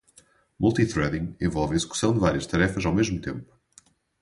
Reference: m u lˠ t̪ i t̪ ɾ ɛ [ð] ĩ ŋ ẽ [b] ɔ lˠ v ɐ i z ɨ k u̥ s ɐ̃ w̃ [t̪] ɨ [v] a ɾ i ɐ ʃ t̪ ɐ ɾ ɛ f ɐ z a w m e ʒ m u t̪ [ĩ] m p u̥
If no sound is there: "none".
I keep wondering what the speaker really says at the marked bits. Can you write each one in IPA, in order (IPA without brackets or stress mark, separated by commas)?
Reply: ð, v, d̪, v, ẽ